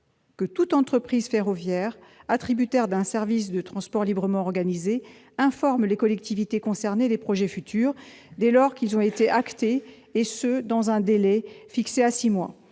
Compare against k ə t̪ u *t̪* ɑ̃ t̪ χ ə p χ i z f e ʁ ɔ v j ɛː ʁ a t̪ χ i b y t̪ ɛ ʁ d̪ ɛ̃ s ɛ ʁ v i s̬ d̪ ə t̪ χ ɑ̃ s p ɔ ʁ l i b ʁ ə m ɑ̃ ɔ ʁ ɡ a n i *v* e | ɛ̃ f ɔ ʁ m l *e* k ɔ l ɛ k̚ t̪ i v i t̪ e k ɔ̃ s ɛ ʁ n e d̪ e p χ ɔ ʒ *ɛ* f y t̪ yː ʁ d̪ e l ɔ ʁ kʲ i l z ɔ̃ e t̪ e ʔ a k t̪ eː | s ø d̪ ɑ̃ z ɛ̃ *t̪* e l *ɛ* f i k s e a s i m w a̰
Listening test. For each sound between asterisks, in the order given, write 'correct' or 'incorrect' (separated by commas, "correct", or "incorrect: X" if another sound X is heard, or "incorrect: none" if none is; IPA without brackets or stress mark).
correct, incorrect: z, correct, correct, incorrect: d̪, correct